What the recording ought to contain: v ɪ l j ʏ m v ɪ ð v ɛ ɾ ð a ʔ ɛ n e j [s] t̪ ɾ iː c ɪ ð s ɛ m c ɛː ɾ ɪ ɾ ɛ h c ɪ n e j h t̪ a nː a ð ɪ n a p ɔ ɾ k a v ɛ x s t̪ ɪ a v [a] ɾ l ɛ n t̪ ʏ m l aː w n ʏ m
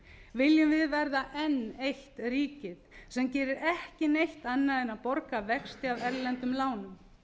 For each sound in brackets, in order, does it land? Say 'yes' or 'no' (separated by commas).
no, no